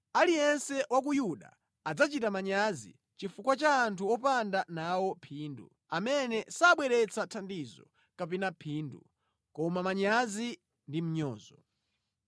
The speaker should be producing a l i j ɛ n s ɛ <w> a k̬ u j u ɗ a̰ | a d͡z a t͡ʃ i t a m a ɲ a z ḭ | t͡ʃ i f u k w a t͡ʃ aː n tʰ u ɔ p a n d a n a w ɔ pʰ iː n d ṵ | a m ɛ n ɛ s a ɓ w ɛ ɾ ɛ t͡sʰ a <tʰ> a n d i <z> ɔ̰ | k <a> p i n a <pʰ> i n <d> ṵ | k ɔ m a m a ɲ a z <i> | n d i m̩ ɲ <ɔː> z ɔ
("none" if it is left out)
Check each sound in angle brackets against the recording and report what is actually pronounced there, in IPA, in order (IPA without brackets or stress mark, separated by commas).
w, tʰ, z, a, pʰ, d, i, ɔː